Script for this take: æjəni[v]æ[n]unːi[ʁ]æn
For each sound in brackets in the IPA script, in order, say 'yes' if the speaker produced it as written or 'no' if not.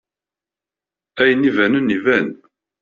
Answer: yes, yes, no

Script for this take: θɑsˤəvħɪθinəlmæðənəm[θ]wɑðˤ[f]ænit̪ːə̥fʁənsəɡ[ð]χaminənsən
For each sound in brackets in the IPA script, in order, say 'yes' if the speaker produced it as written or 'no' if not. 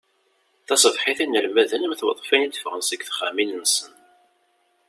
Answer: yes, yes, no

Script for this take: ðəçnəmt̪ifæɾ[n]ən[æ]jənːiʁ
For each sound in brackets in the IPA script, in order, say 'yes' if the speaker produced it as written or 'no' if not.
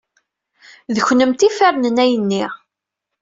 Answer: yes, yes

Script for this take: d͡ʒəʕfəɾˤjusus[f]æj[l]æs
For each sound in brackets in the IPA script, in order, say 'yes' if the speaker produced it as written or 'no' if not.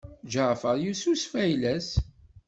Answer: yes, yes

